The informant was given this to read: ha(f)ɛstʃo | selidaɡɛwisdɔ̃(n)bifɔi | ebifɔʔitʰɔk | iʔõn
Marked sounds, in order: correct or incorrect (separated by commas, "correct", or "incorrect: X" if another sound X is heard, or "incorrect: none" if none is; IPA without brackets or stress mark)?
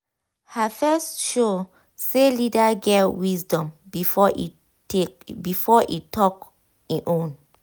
correct, incorrect: m